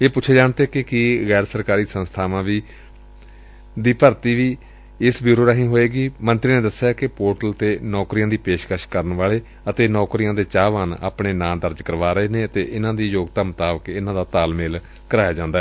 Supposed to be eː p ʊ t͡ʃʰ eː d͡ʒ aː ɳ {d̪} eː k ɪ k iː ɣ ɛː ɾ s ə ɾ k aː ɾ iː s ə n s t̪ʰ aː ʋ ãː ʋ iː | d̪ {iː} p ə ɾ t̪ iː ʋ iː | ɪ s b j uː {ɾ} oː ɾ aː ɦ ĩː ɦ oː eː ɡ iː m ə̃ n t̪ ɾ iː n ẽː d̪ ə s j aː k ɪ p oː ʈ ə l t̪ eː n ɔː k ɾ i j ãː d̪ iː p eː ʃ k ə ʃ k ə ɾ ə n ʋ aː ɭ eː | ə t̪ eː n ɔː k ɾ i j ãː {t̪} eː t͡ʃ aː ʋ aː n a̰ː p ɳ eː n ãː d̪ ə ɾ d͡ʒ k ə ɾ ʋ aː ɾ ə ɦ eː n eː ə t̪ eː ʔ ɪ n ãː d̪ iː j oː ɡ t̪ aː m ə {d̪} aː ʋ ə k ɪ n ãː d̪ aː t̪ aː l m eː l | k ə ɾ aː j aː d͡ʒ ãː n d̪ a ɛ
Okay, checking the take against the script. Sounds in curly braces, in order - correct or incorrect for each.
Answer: incorrect: t̪, correct, correct, incorrect: d̪, incorrect: t̪

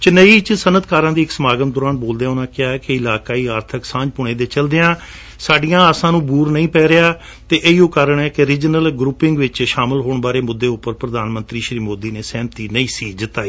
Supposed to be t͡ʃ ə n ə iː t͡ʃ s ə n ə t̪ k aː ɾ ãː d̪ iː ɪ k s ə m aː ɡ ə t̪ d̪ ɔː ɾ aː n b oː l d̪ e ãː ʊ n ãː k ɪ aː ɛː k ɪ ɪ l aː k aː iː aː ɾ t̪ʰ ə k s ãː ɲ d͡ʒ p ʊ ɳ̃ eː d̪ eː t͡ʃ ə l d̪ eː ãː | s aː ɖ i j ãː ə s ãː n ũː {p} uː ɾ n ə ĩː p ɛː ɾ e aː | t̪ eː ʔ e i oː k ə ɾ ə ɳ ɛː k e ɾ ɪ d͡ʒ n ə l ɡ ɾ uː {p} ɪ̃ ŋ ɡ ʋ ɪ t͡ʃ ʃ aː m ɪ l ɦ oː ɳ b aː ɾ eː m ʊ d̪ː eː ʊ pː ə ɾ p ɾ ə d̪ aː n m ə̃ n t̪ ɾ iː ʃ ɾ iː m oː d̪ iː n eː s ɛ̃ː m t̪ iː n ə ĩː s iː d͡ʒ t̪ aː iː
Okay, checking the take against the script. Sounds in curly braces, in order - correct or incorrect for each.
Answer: incorrect: b, correct

